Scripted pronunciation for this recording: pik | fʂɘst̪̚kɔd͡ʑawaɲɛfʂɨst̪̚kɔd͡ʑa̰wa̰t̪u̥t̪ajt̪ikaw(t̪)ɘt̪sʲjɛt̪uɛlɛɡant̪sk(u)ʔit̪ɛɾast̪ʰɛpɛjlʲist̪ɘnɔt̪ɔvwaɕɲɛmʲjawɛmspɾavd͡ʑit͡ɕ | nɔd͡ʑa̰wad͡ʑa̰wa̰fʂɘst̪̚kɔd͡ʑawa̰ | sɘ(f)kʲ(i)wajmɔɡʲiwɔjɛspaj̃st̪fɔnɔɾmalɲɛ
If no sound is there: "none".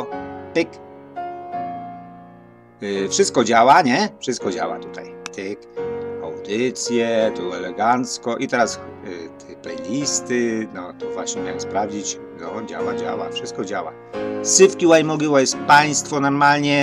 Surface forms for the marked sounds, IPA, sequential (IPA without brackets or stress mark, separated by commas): d̪, ɔ, f, i